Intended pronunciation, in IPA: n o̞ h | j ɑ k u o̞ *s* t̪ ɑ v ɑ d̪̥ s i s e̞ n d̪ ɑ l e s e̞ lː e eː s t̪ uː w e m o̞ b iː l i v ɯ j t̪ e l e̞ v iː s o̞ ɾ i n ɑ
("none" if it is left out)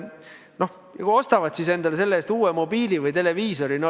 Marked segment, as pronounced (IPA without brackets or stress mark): s